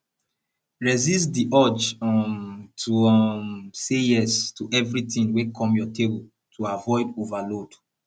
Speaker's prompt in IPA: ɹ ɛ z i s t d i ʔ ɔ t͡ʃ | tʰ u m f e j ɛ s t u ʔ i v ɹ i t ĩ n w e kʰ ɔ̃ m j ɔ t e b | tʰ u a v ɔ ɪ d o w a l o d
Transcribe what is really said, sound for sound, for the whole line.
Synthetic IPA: ɹ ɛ z i s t d i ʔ ɔ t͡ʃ | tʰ u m s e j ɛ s t u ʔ ɛ v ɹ i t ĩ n w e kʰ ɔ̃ m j ɔ t e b | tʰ u a v ɔ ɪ d o v a l o d